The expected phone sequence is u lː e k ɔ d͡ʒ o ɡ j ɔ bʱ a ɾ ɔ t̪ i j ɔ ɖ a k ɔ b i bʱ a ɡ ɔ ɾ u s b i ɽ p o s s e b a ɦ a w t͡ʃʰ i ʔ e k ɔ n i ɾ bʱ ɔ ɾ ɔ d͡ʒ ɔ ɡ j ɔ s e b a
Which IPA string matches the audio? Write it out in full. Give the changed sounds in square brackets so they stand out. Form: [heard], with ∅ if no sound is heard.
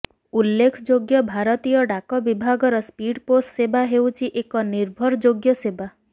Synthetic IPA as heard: u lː e [kʰ] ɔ d͡ʒ o ɡ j ɔ bʱ a ɾ ɔ t̪ i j ɔ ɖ a k ɔ b i bʱ a ɡ ɔ ɾ [ɔ] s [p] i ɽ p o s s e b a ɦ [e] w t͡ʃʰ i ʔ e k ɔ n i ɾ bʱ ɔ ɾ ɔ d͡ʒ [o] ɡ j ɔ s e b a